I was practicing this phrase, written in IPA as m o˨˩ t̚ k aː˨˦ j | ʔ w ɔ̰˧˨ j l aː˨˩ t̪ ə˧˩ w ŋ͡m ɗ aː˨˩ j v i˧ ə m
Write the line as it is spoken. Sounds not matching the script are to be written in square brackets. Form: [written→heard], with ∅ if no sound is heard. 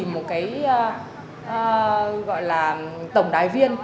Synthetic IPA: m o˨˩ t̚ k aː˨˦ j | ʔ [w→ɣ] ɔ̰˧˨ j l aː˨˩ t̪ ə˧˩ w ŋ͡m ɗ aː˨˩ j v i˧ ə [m→n]